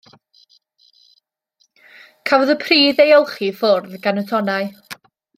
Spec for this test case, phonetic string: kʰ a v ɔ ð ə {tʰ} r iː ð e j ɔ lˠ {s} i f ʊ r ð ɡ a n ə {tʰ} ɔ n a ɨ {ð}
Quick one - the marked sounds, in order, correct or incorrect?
incorrect, incorrect, correct, incorrect

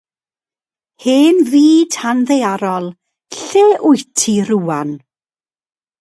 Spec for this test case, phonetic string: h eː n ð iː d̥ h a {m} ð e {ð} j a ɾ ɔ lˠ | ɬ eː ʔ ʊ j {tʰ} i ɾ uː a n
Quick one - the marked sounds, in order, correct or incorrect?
incorrect, incorrect, correct

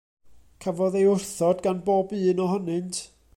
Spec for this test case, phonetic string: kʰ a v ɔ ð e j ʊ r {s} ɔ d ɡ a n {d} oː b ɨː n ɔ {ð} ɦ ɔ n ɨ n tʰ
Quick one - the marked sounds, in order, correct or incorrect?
incorrect, incorrect, incorrect

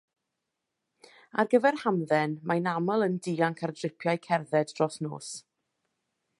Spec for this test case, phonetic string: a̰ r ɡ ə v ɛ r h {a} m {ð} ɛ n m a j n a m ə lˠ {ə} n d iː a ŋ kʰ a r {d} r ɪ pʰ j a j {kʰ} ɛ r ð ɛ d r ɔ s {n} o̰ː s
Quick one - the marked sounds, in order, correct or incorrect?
correct, correct, correct, correct, correct, correct

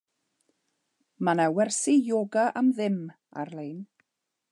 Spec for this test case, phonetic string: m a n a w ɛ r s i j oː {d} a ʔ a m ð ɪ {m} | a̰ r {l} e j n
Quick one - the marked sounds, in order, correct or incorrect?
incorrect, correct, correct

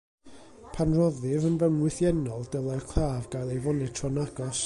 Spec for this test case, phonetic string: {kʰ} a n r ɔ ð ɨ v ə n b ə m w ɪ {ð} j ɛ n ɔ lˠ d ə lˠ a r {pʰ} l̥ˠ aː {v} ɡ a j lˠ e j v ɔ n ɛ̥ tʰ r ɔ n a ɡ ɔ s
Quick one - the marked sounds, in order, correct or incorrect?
incorrect, incorrect, incorrect, correct

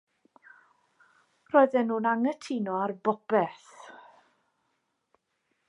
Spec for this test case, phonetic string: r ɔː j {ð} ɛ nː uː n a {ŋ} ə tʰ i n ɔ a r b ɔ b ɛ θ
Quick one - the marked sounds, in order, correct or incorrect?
correct, correct

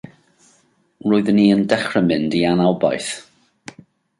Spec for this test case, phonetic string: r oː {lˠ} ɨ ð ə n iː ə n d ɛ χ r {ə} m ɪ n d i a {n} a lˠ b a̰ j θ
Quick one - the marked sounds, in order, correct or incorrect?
incorrect, correct, correct

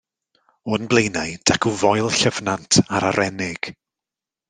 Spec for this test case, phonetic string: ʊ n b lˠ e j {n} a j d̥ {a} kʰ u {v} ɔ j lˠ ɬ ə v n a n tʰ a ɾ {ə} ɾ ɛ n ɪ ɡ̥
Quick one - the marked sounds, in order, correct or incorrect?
correct, correct, correct, incorrect

